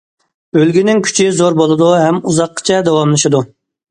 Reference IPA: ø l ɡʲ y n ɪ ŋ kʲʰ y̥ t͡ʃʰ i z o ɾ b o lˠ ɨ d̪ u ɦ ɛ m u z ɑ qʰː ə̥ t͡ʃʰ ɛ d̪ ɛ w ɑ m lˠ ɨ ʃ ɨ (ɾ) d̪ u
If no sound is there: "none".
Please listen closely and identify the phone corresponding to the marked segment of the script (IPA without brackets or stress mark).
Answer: none